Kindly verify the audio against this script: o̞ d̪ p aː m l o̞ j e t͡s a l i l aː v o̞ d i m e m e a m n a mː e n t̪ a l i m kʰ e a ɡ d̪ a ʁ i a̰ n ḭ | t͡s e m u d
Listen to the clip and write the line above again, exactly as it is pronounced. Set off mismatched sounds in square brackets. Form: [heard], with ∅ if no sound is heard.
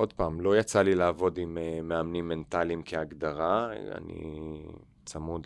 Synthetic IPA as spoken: o̞ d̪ p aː m l o̞ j [a] t͡s a l i l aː v o̞ d i m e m e a m n [i] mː e n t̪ a l i m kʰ e a ɡ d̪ a ʁ [a] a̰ n ḭ | t͡s [a] m u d